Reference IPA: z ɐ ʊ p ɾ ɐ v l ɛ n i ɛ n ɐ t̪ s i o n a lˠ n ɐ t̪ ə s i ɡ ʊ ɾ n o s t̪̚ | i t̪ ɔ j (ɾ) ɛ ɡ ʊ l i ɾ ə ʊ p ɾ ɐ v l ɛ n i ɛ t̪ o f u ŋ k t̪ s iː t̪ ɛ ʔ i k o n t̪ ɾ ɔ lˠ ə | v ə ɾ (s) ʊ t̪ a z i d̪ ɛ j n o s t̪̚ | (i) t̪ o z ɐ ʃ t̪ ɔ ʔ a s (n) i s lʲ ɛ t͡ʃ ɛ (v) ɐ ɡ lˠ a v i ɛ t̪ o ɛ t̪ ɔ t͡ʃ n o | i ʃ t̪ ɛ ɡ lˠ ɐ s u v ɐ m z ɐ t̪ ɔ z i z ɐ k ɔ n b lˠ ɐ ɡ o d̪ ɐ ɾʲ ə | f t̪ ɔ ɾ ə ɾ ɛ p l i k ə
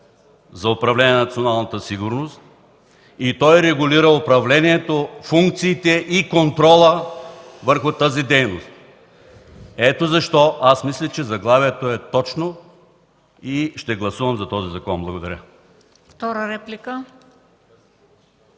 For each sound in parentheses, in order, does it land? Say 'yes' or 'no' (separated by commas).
yes, no, no, no, no